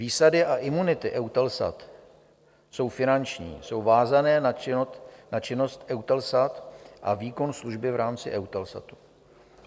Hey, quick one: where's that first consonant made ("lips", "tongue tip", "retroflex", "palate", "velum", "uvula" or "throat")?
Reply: lips